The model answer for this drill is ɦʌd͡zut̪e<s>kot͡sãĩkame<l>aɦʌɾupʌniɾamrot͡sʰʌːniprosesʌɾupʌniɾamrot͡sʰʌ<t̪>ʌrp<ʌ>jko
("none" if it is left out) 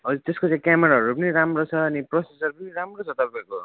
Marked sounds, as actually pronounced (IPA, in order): s, ɾ, t̪, a

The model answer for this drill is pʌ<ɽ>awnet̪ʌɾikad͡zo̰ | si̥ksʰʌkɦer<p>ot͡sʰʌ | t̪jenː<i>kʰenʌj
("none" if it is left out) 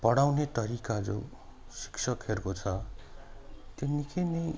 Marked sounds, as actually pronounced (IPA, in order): ɽ, k, i

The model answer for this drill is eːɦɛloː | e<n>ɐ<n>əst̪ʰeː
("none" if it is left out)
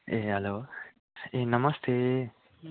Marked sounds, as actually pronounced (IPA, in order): n, m

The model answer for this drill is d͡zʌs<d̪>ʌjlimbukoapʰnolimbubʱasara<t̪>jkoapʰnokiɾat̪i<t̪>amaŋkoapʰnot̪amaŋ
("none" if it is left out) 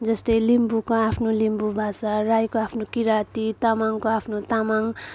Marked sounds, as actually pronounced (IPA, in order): t̪, none, t̪

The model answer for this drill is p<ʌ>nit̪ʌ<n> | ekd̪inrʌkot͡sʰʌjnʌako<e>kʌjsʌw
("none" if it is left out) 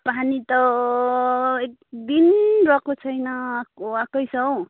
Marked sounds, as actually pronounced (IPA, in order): a, none, a

